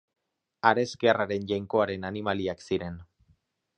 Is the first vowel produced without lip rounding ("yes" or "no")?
yes